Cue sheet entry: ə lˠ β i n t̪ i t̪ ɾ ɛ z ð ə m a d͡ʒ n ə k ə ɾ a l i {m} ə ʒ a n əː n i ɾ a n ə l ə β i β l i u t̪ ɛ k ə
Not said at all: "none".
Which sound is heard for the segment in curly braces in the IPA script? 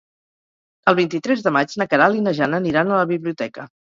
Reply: n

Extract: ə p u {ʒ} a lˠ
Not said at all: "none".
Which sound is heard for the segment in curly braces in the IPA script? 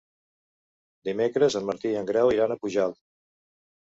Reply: ʒ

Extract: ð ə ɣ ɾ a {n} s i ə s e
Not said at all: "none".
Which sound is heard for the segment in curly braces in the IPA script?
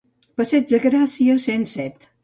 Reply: none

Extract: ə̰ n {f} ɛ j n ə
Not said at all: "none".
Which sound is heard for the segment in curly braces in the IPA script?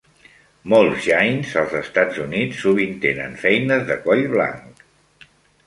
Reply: f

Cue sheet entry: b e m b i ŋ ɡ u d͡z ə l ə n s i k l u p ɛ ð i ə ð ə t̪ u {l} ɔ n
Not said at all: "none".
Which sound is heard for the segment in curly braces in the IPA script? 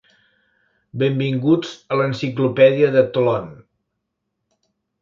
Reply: l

